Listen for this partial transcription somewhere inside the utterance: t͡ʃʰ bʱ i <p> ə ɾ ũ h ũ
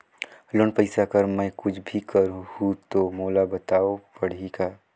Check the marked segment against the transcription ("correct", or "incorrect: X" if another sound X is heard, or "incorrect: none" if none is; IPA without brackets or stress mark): incorrect: k